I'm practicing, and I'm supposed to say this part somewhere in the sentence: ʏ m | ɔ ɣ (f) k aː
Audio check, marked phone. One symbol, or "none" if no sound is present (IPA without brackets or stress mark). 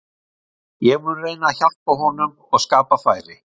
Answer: s